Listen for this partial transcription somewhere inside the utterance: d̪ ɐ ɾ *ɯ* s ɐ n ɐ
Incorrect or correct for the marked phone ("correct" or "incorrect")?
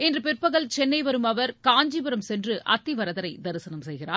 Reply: correct